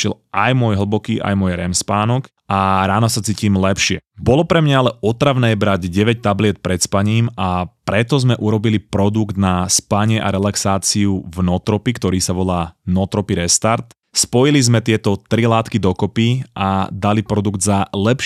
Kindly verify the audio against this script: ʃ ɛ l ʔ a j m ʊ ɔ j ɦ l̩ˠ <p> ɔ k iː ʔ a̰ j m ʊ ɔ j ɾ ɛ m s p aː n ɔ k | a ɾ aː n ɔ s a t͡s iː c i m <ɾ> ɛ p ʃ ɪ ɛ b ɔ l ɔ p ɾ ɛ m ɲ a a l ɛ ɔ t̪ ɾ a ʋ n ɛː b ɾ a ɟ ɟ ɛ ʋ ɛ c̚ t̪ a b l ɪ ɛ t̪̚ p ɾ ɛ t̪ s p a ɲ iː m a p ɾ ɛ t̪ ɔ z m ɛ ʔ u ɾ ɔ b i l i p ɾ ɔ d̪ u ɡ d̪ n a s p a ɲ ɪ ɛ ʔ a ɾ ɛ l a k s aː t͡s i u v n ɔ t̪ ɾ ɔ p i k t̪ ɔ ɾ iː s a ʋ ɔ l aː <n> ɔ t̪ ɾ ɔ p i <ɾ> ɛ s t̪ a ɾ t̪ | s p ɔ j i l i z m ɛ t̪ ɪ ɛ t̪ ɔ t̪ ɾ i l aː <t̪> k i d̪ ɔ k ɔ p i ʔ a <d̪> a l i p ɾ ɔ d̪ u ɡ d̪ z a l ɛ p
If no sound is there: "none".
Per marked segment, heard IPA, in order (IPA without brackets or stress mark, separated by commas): b, l, n, ɾ, t̪, d̪